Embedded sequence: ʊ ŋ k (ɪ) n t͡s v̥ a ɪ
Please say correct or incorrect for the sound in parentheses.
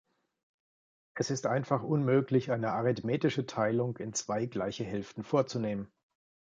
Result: correct